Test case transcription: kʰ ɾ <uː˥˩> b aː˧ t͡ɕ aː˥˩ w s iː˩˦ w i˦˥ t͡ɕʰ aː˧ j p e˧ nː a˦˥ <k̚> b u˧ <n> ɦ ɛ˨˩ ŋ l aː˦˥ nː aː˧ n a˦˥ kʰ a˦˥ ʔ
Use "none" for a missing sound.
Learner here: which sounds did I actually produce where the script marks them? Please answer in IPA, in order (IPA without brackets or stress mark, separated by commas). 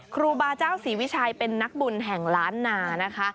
uː˧, k̚, n